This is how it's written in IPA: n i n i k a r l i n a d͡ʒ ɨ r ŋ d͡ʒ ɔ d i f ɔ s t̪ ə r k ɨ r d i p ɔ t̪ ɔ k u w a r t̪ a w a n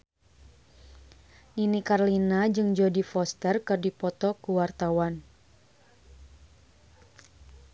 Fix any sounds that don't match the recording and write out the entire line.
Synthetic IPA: n i n i k a r l i n a d͡ʒ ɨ ŋ d͡ʒ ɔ d i f ɔ s t̪ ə r k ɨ r d i p ɔ t̪ ɔ k u w a r t̪ a w a n